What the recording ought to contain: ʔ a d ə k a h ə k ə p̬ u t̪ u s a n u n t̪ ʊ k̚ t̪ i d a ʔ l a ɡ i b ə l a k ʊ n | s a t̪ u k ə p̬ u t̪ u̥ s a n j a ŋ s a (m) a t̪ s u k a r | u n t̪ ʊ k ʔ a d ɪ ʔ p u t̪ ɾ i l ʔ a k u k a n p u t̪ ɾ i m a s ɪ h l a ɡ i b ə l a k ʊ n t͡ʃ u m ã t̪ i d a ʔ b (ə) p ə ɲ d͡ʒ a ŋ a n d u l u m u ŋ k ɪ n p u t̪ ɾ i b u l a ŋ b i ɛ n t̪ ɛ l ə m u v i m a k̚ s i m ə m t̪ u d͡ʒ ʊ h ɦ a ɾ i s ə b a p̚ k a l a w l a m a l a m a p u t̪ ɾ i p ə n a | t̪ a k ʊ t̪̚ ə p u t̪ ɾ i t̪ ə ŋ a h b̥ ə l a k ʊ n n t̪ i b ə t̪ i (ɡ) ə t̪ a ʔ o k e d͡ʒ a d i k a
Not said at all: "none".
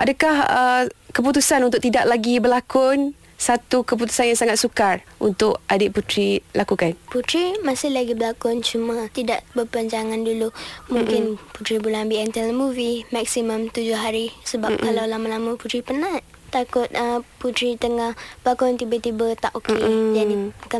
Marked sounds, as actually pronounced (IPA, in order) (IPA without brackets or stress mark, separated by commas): ŋ, ə, b